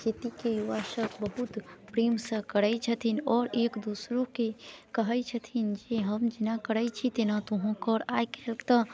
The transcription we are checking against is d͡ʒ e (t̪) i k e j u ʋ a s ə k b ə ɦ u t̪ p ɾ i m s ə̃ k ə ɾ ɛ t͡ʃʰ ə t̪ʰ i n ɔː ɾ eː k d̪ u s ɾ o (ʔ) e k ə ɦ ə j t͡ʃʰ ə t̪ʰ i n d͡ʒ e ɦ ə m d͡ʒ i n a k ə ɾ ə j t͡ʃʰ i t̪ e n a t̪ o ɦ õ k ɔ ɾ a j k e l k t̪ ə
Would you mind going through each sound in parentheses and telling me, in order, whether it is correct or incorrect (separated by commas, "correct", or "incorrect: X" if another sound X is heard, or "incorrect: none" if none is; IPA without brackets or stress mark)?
correct, incorrect: k